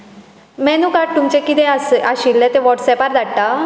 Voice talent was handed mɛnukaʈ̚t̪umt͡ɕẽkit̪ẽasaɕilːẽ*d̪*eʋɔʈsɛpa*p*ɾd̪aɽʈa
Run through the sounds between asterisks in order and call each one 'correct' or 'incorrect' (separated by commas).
incorrect, incorrect